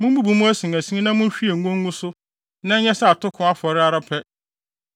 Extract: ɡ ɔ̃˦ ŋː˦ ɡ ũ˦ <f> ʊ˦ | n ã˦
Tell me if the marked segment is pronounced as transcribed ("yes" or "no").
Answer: no